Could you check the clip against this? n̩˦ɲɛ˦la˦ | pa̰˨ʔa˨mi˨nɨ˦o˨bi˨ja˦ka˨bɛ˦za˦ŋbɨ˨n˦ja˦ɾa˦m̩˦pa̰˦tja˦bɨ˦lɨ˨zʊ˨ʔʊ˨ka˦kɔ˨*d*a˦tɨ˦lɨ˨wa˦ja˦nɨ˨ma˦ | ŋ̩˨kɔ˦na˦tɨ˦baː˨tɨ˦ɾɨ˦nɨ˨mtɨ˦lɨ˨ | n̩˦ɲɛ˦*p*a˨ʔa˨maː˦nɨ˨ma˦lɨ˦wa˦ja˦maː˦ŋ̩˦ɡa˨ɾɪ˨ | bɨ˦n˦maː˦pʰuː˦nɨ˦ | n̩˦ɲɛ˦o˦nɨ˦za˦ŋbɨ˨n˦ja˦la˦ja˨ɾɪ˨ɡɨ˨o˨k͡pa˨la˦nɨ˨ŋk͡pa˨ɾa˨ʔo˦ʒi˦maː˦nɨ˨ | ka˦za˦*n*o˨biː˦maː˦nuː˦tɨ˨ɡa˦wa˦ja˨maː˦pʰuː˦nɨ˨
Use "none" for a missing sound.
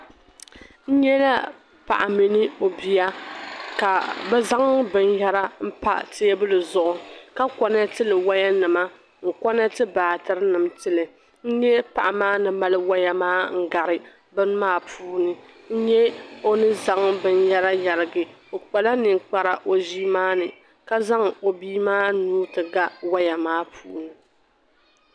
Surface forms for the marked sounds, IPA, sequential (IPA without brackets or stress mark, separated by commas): n, p, ŋ